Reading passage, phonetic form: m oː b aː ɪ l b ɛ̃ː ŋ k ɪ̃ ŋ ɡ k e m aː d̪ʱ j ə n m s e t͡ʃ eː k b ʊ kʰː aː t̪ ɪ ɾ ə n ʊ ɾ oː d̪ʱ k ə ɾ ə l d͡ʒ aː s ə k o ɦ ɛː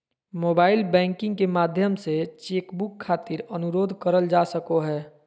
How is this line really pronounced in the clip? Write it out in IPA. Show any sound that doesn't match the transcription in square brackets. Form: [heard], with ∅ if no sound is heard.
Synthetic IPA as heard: m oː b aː ɪ l b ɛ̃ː ŋ k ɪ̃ ŋ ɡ k e m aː d̪ʱ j ə [∅] m s e t͡ʃ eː k b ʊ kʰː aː t̪ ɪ ɾ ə n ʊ ɾ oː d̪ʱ k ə ɾ ə l d͡ʒ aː s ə k o ɦ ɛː